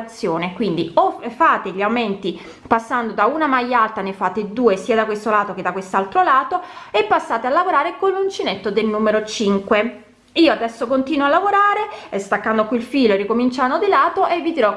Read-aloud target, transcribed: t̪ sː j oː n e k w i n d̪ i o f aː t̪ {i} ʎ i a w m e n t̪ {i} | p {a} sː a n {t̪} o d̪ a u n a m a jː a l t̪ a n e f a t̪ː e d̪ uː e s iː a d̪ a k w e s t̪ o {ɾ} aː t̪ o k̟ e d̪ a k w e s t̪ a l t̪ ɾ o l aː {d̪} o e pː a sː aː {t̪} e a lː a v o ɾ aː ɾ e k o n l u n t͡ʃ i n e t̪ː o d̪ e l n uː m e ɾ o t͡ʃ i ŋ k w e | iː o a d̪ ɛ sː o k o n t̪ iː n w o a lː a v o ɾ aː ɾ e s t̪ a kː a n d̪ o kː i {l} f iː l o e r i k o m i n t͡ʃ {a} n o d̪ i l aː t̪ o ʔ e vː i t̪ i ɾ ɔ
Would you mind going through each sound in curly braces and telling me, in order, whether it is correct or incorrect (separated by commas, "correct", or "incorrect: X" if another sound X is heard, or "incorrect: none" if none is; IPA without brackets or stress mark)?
incorrect: e, correct, correct, incorrect: d̪, incorrect: l, incorrect: t̪, correct, correct, correct